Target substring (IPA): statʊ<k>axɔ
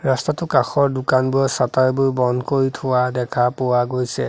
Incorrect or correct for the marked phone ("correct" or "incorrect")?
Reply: correct